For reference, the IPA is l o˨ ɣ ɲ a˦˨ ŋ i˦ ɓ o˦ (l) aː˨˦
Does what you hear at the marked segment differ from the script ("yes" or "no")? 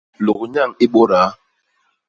yes